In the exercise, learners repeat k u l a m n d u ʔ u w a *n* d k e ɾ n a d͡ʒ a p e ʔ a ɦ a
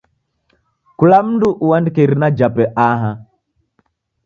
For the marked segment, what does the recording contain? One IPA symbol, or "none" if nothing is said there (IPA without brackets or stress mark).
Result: n